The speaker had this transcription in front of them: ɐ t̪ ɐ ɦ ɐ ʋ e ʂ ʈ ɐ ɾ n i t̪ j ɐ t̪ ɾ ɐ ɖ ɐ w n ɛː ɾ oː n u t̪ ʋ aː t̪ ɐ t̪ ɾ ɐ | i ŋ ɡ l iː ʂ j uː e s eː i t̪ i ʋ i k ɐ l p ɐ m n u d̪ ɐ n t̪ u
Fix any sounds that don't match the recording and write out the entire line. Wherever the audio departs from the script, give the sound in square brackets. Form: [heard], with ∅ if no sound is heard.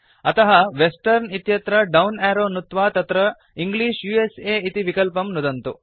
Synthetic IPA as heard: ɐ t̪ ɐ ɦ ɐ ʋ e [s] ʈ ɐ ɾ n i t̪ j ɐ t̪ ɾ ɐ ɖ ɐ w n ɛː ɾ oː n u t̪ ʋ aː t̪ ɐ t̪ ɾ ɐ | i ŋ ɡ l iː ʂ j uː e s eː i t̪ i ʋ i k ɐ l p ɐ m n u d̪ ɐ n t̪ u